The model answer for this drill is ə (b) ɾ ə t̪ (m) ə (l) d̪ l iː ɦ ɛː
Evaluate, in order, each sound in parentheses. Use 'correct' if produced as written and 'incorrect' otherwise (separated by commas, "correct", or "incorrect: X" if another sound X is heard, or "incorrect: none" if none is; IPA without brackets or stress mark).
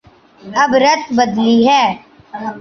correct, incorrect: b, incorrect: none